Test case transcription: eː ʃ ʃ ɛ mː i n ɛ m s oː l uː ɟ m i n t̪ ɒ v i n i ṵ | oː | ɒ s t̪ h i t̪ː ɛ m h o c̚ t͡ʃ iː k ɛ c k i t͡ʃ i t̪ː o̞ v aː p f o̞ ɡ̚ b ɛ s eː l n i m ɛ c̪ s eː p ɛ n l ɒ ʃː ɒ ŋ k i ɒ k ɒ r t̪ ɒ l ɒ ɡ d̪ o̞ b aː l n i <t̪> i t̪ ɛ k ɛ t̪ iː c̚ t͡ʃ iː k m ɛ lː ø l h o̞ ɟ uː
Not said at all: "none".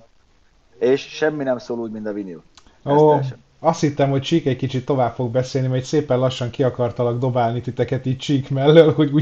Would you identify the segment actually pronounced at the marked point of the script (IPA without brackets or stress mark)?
t̪